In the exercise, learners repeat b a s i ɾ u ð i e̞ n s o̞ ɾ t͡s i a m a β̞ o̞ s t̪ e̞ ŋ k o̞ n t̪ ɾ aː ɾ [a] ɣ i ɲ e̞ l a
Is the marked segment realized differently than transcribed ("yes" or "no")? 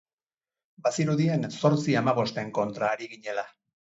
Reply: yes